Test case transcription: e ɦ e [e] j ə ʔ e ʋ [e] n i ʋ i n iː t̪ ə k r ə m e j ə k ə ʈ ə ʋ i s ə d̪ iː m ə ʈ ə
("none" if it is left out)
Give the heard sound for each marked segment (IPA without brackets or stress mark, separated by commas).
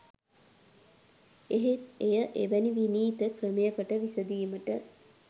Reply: e, æ